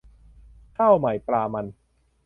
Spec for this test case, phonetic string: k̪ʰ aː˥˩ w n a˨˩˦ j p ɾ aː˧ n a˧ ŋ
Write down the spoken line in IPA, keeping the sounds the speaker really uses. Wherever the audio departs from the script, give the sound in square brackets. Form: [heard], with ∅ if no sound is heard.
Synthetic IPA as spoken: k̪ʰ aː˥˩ w [m] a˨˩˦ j p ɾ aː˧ [m] a˧ [n]